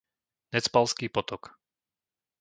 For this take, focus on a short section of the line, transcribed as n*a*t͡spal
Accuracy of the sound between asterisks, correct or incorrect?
incorrect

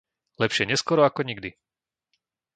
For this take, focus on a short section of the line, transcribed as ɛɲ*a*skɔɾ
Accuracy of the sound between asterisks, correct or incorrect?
incorrect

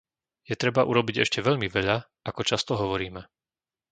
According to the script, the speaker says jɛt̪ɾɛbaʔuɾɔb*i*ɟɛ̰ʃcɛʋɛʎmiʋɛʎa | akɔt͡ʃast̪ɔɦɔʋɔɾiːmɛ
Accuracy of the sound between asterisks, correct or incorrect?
correct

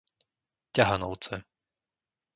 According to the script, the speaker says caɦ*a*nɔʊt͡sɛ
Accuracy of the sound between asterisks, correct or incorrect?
correct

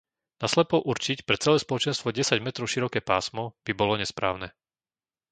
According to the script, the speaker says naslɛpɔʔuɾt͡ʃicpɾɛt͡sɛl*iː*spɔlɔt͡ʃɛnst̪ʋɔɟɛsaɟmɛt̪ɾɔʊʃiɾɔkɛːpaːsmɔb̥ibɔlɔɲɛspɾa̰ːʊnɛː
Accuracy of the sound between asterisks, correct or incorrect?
incorrect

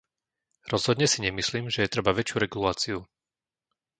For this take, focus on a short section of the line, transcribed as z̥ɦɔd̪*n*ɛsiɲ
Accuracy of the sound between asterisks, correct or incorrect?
incorrect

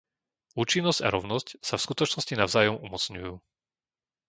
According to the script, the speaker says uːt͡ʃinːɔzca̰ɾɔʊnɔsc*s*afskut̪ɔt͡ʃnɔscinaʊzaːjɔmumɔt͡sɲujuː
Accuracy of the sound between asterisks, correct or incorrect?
correct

